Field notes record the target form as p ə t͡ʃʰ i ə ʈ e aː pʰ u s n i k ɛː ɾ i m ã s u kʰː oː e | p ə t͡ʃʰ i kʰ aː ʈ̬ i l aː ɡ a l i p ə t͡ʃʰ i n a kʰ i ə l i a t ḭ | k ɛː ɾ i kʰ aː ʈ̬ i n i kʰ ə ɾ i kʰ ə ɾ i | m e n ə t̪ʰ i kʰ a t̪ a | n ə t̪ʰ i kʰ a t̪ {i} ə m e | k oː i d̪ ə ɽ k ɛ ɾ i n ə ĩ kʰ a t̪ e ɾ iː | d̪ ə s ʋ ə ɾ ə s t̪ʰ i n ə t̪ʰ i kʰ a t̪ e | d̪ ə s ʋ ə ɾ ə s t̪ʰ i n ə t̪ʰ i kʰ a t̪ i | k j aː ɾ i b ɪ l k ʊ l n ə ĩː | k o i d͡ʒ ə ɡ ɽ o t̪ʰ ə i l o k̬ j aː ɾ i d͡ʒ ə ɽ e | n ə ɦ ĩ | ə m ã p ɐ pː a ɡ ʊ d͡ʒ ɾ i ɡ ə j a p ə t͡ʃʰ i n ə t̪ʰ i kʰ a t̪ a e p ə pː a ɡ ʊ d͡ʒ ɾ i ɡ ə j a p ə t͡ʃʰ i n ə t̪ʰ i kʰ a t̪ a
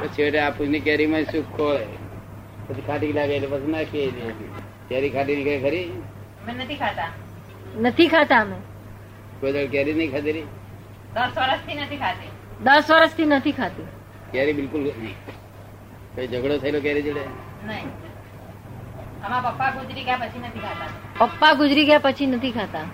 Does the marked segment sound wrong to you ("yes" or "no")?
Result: yes